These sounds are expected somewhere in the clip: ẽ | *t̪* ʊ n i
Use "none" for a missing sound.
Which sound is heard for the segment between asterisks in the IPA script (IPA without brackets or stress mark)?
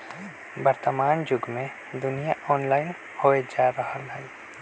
d̪